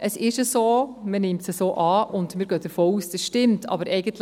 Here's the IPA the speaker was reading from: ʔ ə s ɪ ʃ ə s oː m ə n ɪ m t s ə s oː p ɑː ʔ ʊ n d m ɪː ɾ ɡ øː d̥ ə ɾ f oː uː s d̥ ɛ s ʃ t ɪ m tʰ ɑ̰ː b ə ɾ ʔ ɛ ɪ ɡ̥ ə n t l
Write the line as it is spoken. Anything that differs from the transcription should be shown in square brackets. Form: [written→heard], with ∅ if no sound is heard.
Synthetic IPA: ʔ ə s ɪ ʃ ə s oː m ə n ɪ m t s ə s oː [p→ʔ] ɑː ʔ ʊ n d m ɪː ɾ ɡ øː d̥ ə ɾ f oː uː s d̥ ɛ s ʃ t ɪ m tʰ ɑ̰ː b ə ɾ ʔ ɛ ɪ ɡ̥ ə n t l